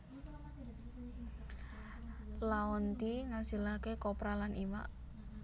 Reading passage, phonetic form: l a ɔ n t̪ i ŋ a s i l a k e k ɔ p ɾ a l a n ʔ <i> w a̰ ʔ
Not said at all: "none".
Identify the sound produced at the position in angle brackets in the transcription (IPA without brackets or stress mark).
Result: i